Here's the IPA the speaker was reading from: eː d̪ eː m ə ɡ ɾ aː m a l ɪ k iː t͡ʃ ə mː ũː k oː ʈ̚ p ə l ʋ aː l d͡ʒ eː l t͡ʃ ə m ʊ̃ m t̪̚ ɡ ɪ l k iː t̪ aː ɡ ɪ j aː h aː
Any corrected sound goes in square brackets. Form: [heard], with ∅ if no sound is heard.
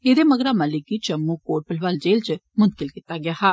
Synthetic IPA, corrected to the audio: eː d̪ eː m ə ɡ ɾ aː m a l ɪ k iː t͡ʃ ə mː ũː k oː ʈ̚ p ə l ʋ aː l d͡ʒ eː l t͡ʃ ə m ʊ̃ [n] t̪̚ [k] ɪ l k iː t̪ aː ɡ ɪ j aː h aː